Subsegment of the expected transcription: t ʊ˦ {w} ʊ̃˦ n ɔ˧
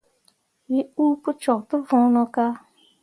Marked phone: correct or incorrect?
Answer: incorrect